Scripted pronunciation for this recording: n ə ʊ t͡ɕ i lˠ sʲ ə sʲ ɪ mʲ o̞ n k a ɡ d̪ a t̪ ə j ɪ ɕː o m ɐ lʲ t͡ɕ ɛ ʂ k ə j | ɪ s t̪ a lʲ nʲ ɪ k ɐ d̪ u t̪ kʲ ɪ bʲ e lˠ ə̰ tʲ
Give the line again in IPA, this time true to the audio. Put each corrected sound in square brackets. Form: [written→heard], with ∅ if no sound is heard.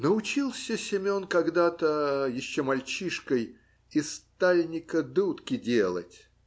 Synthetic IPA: n ə ʊ t͡ɕ i lˠ sʲ ə sʲ ɪ mʲ o̞ n k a ɡ d̪ a t̪ ə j ɪ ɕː o m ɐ lʲ t͡ɕ [ɛ→i] ʂ k ə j | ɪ s t̪ a lʲ nʲ ɪ k [ɐ→ə] d̪ u t̪ kʲ ɪ [bʲ→dʲ] e lˠ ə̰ tʲ